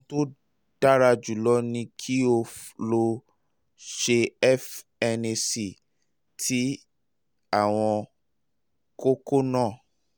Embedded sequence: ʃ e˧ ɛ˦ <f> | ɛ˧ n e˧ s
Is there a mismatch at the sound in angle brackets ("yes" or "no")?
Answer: no